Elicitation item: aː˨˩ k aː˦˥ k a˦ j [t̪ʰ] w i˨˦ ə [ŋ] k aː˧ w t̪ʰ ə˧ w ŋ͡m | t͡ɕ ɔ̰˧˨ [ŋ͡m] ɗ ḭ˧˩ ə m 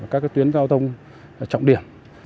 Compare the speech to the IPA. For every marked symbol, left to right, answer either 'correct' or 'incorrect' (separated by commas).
incorrect, incorrect, correct